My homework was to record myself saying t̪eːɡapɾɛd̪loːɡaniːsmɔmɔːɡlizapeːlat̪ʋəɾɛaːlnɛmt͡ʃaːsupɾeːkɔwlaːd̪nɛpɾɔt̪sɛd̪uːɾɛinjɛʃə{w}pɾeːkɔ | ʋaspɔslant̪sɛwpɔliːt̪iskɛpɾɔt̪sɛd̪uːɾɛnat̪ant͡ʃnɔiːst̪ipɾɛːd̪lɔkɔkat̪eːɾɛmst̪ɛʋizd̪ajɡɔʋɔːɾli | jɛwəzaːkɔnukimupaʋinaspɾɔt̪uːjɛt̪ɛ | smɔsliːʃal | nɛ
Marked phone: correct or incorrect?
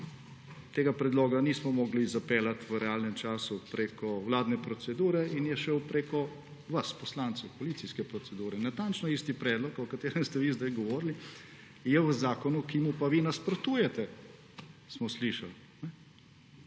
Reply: correct